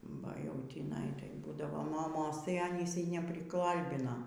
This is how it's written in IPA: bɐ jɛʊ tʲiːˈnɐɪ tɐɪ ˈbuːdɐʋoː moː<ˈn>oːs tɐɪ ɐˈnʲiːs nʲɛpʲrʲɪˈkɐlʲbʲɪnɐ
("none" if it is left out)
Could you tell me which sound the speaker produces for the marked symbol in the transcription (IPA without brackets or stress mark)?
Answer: m